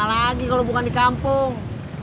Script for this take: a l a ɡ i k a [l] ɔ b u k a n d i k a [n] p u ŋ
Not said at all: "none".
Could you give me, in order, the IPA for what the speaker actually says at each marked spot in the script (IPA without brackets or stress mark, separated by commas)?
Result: l, m